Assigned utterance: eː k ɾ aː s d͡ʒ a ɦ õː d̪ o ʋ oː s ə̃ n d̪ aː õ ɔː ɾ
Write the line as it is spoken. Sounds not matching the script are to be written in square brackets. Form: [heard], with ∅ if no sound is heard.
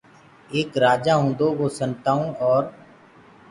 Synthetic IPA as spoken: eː k ɾ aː [∅] d͡ʒ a ɦ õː d̪ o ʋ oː s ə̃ n [t̪] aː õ ɔː ɾ